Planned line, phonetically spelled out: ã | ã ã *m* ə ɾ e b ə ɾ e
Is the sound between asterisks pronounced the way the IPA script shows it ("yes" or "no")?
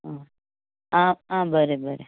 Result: no